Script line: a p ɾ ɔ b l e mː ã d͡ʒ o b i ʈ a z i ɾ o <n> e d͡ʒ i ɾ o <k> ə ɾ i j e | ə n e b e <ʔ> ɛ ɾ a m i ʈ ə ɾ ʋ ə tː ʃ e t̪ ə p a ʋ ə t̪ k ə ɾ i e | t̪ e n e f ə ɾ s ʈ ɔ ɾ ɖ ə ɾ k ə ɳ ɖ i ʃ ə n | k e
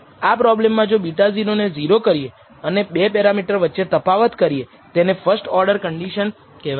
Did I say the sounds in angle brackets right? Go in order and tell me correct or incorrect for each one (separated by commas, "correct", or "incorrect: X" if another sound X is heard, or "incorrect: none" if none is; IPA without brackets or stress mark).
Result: correct, correct, incorrect: p